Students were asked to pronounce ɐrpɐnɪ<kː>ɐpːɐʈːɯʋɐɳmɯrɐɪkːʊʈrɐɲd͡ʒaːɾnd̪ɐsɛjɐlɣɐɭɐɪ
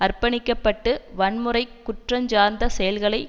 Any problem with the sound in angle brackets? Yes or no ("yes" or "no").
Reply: no